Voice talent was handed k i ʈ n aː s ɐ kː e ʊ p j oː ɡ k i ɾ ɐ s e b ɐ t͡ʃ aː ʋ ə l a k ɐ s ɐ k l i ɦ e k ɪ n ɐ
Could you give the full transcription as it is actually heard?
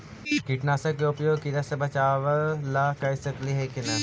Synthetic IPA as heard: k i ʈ n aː s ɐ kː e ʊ p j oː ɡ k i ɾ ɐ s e b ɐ t͡ʃ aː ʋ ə l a k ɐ s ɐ k l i ɦ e k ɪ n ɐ